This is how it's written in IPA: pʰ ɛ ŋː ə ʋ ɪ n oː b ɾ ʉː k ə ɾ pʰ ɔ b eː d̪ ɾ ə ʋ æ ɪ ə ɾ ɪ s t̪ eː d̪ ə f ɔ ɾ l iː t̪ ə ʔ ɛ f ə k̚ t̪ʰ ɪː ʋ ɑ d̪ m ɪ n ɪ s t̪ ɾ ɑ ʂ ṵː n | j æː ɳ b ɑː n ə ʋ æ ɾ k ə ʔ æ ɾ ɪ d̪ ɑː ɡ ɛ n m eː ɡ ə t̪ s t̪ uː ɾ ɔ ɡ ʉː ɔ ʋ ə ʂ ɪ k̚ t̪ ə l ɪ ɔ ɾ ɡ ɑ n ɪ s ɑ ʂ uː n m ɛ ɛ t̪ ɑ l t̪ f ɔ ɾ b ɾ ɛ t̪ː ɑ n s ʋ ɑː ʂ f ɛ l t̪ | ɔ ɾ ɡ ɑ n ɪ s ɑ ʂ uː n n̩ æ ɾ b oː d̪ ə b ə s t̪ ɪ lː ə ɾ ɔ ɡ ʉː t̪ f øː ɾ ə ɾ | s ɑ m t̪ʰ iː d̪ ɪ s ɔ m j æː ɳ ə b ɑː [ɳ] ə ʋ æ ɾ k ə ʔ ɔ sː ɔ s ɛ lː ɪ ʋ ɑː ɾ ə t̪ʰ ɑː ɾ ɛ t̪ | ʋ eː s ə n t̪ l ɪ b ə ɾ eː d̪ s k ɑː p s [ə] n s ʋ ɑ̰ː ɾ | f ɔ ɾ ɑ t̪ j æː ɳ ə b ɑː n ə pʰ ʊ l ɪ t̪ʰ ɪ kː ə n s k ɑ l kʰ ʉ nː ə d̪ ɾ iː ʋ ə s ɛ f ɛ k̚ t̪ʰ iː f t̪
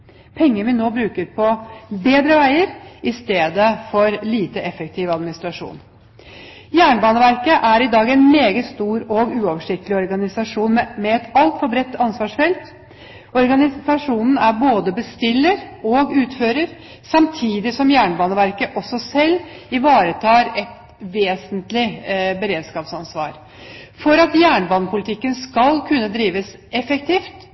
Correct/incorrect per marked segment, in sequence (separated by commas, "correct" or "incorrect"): incorrect, incorrect